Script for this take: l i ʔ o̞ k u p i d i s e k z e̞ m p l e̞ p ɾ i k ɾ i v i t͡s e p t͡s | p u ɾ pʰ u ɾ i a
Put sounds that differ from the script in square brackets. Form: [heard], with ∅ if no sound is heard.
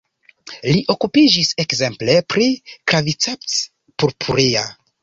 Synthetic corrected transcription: l i ʔ o̞ k u p i [d͡ʒ] i s e k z e̞ m p l e̞ p ɾ i k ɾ [a] v i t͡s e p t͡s | p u ɾ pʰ u ɾ i a